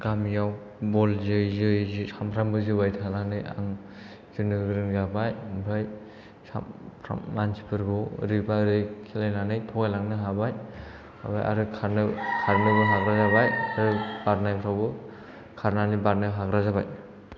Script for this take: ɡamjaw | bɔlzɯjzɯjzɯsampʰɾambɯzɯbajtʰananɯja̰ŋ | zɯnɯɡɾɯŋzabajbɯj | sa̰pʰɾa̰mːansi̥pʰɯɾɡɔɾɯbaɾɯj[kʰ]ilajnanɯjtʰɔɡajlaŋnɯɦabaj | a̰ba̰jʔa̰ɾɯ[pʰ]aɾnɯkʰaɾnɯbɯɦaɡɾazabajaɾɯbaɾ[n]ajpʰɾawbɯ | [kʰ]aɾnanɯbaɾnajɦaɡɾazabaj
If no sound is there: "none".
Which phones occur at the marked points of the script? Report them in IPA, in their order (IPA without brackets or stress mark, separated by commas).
kʰ, kʰ, n, kʰ